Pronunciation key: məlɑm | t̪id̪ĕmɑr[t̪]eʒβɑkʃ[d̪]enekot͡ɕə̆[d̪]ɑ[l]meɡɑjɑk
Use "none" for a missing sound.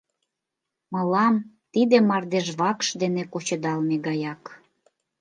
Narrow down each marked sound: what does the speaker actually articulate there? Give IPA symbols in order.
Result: d̪, d̪, d̪, l

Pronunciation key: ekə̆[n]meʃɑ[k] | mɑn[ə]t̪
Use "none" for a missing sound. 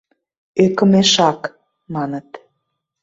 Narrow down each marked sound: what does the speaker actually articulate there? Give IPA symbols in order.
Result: none, k, ə

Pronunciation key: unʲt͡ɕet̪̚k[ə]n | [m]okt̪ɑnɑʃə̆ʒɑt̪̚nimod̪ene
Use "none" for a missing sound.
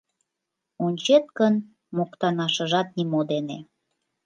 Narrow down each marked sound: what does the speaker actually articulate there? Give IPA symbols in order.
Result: ə, m

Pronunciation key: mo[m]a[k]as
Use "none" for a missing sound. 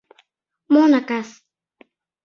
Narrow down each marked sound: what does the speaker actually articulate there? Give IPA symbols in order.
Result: n, k

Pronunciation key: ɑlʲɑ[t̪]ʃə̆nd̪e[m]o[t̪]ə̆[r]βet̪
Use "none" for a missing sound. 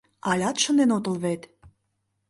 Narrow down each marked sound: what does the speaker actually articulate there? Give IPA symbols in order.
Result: t̪, n, t̪, l

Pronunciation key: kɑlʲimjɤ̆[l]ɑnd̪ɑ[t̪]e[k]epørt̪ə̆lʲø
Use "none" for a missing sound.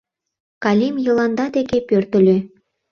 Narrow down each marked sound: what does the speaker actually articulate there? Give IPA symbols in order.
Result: l, d̪, k

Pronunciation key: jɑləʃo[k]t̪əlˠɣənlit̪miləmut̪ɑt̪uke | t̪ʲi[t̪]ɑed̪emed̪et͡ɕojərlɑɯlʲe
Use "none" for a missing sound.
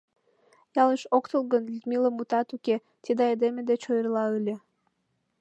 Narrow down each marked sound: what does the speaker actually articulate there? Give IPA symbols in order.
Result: k, d̪

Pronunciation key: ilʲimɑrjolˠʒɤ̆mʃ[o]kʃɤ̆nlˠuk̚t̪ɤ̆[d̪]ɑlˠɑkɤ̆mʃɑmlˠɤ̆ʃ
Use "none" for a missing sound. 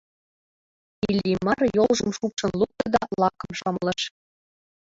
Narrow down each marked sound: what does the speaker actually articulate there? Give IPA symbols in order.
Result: u, d̪

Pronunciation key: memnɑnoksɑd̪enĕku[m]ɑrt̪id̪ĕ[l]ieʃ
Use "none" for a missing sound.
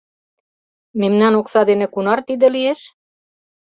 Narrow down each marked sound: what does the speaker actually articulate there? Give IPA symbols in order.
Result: n, l

